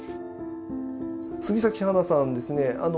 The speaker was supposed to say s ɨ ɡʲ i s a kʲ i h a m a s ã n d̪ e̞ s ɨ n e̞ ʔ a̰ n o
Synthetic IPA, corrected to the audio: s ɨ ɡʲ i s a kʲ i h a n a s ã n d̪ e̞ s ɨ n e̞ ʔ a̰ n o